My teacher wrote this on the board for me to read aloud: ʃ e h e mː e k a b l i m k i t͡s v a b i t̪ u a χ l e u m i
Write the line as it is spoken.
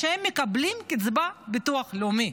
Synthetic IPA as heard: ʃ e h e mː e k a b l i m k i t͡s b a b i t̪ u a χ l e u m i